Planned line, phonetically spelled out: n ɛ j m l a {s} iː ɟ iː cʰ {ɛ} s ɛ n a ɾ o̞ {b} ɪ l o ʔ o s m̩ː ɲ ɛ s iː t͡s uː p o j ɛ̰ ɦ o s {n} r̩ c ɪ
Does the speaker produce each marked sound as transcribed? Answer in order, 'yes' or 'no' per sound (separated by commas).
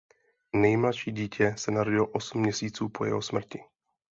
no, yes, no, no